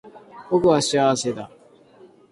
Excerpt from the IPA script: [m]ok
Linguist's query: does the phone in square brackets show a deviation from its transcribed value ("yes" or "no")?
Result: yes